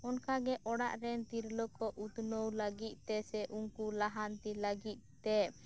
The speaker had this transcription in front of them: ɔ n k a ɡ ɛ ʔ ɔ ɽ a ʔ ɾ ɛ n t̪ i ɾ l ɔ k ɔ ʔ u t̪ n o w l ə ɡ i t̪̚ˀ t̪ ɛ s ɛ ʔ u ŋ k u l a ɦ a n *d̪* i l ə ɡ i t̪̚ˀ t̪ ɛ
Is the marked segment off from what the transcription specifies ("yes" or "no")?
yes